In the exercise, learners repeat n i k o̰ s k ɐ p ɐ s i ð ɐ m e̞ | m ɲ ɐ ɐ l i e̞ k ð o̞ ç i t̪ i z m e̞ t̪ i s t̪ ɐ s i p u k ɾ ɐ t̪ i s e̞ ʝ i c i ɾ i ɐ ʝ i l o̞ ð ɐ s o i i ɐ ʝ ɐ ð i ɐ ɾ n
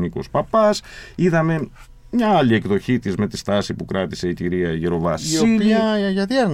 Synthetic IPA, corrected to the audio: n i k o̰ s p ɐ p ɐ s i ð ɐ m e̞ | m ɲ ɐ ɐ l i e̞ k ð o̞ ç i t̪ i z m e̞ t̪ i s t̪ ɐ s i p u k ɾ ɐ t̪ i s e̞ i c i ɾ i ɐ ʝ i ɾ o̞ v ɐ s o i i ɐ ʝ ɐ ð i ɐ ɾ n